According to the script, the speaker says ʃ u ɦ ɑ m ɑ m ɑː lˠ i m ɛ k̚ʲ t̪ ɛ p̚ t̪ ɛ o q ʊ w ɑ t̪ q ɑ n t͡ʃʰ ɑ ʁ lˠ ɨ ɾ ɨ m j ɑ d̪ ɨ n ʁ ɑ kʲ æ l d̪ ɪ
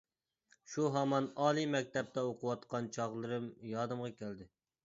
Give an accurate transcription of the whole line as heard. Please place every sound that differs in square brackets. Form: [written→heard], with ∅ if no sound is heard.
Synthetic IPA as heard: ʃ u ɦ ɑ m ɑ [m→n] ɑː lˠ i m ɛ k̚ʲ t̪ ɛ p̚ t̪ ɛ o q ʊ w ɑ t̪ q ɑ n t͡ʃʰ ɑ ʁ lˠ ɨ ɾ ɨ m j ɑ d̪ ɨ [n→m] ʁ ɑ kʲ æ l d̪ ɪ

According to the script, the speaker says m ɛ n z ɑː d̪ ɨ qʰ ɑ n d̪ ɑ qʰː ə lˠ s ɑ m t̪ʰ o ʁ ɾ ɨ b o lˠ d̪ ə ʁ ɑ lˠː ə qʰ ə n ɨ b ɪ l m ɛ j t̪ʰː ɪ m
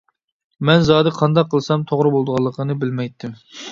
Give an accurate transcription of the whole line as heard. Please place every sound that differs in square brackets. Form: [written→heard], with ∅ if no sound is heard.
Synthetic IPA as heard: m ɛ n z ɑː d̪ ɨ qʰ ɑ n d̪ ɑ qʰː ə lˠ s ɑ m t̪ʰ o ʁ ɾ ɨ b o lˠ d̪ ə ʁ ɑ lˠː ə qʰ ə n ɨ b ɪ l m ɛ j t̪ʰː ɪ m

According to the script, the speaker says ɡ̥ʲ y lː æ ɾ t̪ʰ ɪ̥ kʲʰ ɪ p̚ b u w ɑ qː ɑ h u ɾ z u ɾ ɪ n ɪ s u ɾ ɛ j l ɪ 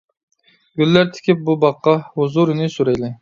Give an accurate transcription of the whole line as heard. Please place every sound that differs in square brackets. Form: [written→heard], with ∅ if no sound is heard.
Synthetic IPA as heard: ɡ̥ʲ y lː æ ɾ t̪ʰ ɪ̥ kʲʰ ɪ p̚ b u [w→b] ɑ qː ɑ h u [ɾ→∅] z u ɾ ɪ n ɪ s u ɾ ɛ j l ɪ

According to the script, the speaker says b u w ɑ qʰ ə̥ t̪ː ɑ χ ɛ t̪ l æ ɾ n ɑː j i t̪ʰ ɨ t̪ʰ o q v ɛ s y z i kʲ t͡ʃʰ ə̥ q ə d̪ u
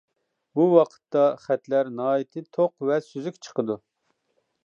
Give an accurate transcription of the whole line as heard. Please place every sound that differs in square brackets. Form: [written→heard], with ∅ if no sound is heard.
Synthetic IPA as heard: b u w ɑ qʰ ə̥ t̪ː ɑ χ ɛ t̪ l æ ɾ n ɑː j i t̪ʰ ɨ t̪ʰ o q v ɛ s y z [i→y] kʲ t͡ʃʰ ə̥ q ə d̪ u

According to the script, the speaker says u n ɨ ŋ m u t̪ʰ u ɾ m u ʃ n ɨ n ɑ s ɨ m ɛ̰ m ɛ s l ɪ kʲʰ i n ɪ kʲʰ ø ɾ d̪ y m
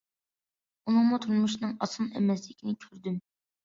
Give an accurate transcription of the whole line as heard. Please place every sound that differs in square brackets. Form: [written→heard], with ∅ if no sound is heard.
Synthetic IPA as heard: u n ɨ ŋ m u t̪ʰ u ɾ m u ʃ n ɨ [n→ŋ] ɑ s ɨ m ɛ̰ m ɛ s l ɪ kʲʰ i n ɪ kʲʰ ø ɾ d̪ y m

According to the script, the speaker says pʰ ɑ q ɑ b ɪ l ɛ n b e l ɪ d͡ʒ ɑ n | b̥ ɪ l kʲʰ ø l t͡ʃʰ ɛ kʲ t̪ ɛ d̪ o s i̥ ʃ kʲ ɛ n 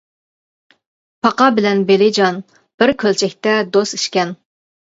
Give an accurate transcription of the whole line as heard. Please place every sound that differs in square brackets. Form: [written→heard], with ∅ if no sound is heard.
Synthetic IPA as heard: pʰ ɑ q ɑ b ɪ l ɛ n b e l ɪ d͡ʒ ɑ n | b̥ ɪ [l→ɾ] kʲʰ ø l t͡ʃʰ ɛ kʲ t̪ ɛ d̪ o s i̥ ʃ kʲ ɛ n

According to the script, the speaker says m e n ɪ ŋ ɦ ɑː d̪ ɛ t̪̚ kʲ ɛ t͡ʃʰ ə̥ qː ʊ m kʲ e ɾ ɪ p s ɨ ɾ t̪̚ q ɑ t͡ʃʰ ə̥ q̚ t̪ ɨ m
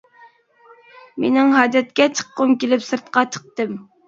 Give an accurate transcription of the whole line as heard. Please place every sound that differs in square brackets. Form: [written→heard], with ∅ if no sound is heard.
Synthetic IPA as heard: m e n ɪ ŋ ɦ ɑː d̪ ɛ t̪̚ kʲ ɛ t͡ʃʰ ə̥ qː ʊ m kʲ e [ɾ→l] ɪ p s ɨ ɾ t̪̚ q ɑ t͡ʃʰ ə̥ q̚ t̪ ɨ m

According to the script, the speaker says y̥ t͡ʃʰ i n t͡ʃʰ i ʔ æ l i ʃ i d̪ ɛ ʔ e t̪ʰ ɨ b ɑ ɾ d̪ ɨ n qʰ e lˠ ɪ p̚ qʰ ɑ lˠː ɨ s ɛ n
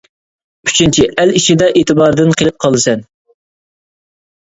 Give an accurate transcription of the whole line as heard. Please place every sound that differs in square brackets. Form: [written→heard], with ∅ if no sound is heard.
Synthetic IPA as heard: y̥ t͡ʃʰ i n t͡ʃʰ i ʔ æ l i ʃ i d̪ ɛ ʔ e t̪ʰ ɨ b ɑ ɾ d̪ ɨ n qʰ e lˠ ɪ p̚ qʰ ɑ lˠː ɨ s ɛ n

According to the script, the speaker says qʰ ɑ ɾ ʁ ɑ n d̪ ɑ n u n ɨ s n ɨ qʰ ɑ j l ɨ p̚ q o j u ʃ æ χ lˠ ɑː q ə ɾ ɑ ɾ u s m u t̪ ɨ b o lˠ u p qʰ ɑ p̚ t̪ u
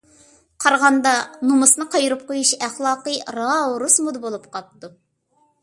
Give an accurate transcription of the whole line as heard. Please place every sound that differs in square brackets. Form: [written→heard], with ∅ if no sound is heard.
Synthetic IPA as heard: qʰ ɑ ɾ ʁ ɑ n d̪ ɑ n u [n→m] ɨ s n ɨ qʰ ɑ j [l→ɾ] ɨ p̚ q o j u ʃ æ χ lˠ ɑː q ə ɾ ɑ ɾ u s m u [t̪→d̪] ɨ b o lˠ u p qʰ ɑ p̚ t̪ u

